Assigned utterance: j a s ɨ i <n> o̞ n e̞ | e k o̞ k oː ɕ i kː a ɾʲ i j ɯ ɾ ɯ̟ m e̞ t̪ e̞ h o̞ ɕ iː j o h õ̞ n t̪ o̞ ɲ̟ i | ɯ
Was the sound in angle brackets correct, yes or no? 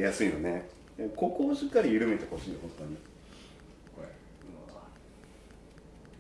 yes